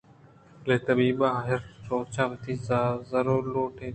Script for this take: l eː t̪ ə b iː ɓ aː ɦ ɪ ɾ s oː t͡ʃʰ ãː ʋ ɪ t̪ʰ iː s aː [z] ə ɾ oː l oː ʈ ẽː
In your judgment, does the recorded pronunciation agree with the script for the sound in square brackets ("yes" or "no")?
yes